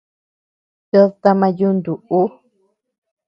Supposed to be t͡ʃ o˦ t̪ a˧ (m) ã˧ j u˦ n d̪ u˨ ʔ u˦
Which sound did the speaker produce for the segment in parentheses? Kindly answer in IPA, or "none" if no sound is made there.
m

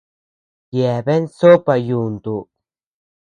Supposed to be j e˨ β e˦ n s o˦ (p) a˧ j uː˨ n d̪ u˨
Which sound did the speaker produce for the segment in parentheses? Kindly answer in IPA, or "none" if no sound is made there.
p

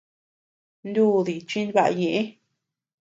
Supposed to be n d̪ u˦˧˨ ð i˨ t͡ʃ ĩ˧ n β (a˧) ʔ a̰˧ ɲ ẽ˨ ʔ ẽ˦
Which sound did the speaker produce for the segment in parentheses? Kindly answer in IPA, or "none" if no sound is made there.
a˧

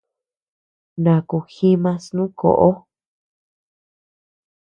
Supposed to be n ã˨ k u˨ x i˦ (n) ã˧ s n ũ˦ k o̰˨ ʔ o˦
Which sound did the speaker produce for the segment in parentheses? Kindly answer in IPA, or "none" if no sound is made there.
m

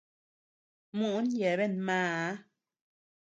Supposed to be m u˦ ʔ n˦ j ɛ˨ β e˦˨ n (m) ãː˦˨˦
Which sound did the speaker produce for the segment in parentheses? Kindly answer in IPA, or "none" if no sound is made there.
m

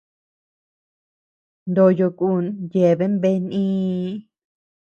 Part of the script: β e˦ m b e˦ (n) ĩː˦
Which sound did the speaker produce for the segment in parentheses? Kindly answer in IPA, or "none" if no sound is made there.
n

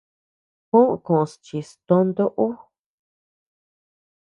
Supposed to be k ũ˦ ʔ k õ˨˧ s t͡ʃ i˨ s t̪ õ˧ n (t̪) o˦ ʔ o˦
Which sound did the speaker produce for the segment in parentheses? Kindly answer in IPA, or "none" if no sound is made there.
d̪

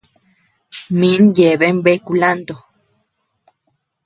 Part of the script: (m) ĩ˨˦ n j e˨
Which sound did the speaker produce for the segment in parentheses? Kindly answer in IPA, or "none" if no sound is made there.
m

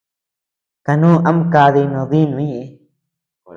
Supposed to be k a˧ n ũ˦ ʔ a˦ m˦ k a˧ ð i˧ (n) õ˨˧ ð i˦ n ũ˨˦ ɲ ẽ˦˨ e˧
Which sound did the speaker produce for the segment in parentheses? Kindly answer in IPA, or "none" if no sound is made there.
n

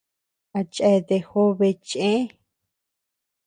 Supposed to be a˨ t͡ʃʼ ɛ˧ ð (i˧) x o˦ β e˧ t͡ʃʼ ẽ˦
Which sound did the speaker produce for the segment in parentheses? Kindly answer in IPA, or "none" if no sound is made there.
e˧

